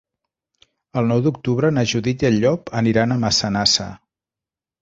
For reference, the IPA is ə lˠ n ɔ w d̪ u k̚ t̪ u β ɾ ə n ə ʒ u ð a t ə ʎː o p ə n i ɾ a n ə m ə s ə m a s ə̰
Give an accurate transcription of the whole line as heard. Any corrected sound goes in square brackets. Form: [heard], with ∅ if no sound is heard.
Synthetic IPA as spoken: ə lˠ n ɔ w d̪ u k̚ t̪ u β ɾ ə n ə ʒ u ð [i] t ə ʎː [ɔ] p ə n i ɾ a n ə m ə s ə [n] a s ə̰